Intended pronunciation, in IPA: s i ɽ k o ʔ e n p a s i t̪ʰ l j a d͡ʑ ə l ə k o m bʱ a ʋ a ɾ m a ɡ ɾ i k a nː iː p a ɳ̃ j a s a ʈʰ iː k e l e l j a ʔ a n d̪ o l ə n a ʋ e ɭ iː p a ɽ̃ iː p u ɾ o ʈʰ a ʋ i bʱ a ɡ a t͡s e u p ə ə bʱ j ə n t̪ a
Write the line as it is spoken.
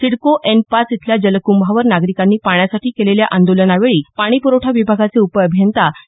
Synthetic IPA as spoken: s i ɽ k o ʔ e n p a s i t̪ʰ l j a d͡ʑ ə l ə k u m bʱ a ʋ ə ɾ n a ɡ ɾ i k a nː iː p a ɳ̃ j a s a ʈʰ iː k e l e l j a ʔ a n d̪ o l ə n a ʋ e ɭ iː p a ɽ̃ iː p u ɾ o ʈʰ a ʋ i bʱ a ɡ a t͡s e u p ə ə bʱ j ə n t̪ a